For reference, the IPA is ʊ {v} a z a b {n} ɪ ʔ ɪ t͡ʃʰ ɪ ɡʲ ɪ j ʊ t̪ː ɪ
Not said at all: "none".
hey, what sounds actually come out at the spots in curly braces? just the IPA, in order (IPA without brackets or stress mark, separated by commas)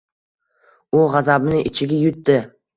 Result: ʁ, n